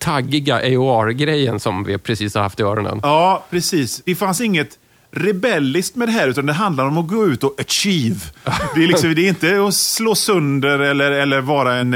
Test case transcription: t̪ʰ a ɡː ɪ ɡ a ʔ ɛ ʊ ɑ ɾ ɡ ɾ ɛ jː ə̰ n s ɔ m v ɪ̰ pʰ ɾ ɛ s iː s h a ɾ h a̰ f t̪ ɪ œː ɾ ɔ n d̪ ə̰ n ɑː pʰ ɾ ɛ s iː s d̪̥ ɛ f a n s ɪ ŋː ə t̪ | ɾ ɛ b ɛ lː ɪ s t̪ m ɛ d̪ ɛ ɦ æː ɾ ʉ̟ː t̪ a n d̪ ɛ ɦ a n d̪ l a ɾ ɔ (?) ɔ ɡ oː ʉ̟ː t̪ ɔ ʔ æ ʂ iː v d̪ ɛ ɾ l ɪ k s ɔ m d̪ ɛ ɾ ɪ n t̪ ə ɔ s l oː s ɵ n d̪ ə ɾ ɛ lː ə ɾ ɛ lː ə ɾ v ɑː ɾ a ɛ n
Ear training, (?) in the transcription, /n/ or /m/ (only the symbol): m